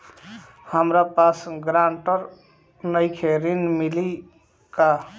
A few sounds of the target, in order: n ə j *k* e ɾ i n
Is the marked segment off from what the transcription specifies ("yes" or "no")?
yes